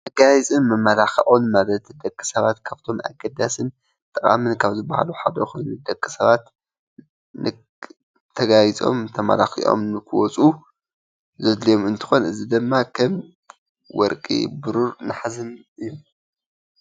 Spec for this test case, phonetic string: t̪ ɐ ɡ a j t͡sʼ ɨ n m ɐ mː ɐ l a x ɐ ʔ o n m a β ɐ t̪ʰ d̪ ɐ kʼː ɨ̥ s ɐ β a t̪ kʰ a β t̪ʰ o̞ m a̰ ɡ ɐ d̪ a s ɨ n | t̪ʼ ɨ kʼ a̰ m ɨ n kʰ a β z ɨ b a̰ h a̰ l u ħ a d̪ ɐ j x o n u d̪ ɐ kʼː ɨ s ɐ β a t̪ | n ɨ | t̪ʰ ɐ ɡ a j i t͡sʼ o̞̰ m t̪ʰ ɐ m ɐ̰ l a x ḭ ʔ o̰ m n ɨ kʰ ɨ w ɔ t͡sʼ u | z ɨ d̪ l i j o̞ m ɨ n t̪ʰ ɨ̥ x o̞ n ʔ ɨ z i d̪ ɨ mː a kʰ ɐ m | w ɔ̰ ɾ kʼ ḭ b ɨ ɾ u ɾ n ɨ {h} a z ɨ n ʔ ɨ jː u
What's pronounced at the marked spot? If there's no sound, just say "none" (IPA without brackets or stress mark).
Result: ħ